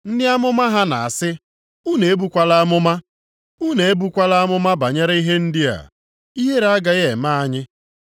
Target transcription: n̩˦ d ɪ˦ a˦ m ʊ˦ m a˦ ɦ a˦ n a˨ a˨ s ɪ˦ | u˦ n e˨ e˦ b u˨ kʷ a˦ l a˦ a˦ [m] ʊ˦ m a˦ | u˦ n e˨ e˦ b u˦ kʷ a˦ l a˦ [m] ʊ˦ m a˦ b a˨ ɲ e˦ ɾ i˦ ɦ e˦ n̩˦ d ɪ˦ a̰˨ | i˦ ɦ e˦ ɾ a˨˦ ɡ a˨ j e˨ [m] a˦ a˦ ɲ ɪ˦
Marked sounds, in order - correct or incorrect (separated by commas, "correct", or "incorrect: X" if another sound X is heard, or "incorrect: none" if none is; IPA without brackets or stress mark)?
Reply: correct, correct, correct